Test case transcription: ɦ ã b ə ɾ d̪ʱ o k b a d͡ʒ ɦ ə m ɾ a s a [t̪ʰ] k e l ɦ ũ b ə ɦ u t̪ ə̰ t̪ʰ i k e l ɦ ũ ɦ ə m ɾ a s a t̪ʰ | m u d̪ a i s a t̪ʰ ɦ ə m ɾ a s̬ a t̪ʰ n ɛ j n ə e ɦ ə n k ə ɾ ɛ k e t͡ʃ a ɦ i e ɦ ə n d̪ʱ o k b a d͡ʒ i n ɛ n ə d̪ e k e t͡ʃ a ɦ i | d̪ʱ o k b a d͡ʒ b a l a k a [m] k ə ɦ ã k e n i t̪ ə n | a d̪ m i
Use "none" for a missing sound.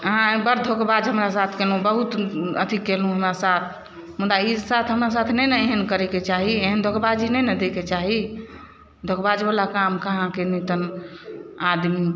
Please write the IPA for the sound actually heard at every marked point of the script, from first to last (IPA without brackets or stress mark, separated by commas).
t̪ʰ, m